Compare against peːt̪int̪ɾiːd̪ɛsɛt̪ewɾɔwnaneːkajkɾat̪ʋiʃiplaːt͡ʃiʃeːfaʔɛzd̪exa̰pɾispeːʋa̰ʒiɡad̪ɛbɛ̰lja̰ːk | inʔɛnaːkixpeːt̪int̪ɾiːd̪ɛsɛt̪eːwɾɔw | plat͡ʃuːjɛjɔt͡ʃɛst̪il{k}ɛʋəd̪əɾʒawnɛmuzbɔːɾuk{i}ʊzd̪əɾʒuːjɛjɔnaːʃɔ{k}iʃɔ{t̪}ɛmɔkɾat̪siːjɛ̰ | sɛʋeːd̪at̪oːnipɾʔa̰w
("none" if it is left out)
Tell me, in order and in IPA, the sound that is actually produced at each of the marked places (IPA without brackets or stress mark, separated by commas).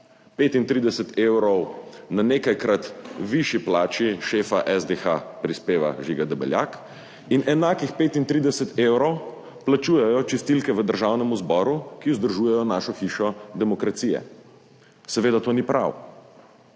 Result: k, i, x, d̪